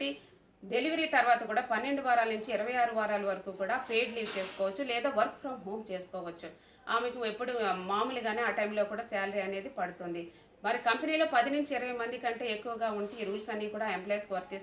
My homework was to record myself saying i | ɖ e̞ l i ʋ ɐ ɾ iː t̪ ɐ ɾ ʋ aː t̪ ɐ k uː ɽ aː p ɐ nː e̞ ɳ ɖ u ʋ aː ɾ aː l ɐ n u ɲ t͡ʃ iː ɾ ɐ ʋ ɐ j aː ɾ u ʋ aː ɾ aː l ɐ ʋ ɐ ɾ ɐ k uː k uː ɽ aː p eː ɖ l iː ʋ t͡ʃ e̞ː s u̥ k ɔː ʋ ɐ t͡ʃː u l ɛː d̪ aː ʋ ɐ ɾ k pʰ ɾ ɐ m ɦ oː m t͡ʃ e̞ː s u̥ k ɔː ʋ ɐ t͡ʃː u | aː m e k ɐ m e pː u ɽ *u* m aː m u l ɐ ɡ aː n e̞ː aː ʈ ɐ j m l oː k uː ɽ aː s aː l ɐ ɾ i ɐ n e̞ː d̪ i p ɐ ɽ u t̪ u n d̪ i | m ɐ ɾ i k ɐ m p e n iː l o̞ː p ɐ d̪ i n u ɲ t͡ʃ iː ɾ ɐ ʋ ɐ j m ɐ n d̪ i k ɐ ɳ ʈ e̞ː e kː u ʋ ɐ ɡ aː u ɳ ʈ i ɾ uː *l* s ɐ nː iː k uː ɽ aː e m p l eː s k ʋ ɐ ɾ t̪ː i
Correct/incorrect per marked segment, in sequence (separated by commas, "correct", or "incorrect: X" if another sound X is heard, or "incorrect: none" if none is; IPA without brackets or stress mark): correct, correct